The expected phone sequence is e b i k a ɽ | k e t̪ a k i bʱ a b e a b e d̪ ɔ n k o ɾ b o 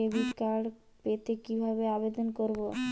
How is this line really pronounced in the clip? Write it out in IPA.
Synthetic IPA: e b i k a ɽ | p e t̪ e k i bʱ a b e a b e d̪ o n k o ɾ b o